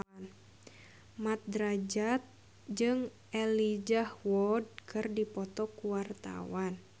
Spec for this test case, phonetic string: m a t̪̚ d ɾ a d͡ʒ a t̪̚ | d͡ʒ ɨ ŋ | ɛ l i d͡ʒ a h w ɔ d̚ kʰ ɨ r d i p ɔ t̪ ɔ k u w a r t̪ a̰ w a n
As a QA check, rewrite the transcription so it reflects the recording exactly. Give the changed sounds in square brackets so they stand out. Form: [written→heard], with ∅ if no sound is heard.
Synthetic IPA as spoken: m a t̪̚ d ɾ a d͡ʒ a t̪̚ | d͡ʒ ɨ ŋ | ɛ l i d͡ʒ a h w ɔ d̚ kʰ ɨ r d i p ɔ t̪ ɔ k u w a r t̪ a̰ w a n